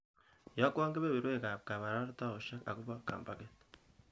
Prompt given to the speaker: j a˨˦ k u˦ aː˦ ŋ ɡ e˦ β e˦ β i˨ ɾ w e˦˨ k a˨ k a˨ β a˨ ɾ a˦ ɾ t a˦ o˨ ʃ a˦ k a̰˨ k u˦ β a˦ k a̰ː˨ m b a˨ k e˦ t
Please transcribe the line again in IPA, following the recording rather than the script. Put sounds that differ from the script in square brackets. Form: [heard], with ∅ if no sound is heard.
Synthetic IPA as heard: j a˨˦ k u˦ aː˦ ŋ ɡ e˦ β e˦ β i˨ ɾ w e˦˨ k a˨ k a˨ β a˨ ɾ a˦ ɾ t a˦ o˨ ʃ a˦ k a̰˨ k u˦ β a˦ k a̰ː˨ m b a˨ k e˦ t

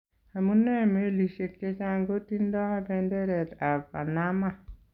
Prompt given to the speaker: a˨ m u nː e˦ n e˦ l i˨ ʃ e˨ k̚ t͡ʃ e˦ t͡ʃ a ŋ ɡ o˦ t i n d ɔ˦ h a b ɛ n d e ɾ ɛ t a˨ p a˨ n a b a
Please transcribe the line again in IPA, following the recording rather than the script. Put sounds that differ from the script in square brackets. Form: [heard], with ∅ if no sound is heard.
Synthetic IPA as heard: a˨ m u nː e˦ [m] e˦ l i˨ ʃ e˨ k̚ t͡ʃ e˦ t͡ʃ a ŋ ɡ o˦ t i n d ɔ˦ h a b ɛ n d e ɾ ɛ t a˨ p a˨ n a [m] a

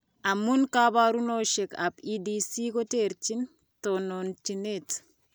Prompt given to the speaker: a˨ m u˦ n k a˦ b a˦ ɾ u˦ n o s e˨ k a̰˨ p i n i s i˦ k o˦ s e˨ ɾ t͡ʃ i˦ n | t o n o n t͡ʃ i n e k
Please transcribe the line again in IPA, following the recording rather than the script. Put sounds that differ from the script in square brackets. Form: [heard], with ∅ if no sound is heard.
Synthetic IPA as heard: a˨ m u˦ n k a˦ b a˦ ɾ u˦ n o [ʃ] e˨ k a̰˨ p i [d] i s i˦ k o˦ [t] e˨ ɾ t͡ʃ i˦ n | t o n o n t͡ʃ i n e [t]

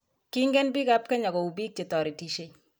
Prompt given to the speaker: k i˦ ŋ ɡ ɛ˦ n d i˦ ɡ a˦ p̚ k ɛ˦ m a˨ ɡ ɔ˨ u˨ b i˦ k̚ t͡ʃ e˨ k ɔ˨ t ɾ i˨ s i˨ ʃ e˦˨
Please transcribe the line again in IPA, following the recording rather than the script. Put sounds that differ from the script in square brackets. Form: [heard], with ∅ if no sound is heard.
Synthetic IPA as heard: k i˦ ŋ ɡ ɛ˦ n [b] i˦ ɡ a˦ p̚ k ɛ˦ [ɲ] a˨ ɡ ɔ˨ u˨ b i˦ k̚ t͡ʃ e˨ [t] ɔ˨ [∅] ɾ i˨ [t] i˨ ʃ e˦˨

